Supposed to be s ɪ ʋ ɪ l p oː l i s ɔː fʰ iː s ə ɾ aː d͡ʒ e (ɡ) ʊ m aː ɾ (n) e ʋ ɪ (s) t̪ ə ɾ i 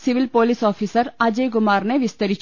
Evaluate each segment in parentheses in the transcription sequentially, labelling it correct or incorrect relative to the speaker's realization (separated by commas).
correct, correct, correct